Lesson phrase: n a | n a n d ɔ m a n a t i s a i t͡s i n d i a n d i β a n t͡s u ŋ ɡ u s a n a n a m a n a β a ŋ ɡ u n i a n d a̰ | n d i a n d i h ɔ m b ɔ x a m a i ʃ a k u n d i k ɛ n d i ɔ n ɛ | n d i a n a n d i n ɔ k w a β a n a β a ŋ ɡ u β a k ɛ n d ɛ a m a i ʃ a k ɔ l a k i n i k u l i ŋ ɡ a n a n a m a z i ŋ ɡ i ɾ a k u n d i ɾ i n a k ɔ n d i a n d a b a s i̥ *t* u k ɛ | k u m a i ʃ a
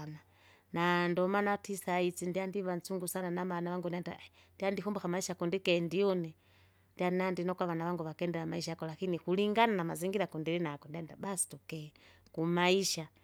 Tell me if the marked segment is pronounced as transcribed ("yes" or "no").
yes